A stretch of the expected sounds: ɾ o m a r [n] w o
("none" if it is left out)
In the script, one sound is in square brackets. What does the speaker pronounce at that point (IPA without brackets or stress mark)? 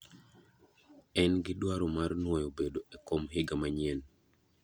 n